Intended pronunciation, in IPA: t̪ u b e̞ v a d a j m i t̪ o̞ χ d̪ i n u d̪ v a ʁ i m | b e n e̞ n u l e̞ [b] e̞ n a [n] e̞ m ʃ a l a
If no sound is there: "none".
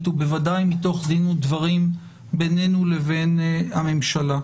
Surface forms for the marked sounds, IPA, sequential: v, m

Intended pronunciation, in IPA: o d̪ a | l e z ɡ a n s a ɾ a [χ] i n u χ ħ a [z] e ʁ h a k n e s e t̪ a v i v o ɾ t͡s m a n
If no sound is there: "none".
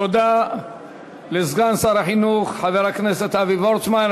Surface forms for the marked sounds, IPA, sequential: ħ, v

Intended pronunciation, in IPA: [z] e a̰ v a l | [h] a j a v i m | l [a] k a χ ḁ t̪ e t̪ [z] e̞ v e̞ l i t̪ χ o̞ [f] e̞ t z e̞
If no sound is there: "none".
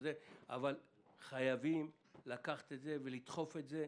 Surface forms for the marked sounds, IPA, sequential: z, χ, a, z, f

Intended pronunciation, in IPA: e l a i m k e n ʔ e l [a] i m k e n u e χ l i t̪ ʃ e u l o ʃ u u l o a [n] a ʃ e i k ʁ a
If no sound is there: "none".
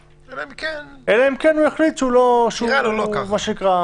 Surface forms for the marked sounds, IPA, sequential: a, m

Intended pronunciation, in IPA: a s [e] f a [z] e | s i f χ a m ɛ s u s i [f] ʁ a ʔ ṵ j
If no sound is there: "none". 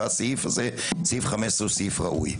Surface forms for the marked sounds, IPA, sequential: i, z, f

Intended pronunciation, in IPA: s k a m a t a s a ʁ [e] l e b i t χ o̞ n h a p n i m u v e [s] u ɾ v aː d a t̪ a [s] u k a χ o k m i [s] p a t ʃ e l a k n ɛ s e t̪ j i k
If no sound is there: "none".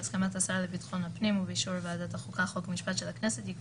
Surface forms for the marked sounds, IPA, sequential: a, ʃ, χ, ʃ

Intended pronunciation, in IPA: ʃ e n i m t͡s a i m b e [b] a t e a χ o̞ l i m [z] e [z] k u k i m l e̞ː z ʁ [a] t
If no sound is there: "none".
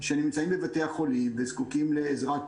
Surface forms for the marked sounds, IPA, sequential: v, v, z, a

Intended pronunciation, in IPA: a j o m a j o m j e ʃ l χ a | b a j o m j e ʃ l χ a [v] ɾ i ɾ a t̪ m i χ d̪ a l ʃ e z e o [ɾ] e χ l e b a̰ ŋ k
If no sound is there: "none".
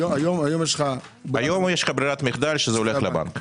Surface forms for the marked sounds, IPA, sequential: b, l

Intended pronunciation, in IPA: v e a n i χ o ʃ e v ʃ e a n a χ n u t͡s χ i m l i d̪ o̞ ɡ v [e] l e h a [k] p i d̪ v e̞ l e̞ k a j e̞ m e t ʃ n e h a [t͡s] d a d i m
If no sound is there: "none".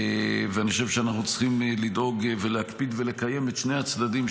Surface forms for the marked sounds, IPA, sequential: e, k, t͡s

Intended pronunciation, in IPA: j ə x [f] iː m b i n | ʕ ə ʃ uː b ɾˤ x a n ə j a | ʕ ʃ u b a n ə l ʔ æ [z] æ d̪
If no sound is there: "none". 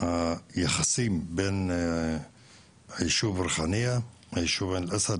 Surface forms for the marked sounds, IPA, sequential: s, s

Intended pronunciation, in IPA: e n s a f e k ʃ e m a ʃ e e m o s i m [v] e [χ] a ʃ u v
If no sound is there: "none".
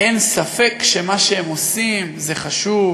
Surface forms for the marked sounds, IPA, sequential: z, χ

